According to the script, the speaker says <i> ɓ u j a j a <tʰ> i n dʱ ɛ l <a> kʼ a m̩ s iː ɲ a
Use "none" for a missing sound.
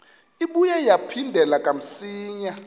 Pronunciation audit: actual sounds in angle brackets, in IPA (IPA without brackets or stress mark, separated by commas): i, pʰ, a